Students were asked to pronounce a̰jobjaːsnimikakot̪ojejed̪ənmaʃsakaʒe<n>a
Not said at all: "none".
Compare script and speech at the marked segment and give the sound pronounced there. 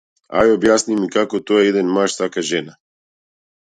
n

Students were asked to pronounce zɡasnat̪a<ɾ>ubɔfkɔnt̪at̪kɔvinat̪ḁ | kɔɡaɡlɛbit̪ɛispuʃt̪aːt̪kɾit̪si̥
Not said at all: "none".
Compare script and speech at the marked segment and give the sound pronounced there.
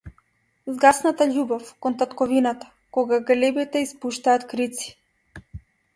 ʎ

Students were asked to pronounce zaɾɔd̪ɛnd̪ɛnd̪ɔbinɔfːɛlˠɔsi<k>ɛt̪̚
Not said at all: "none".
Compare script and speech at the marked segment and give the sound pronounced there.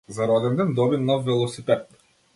p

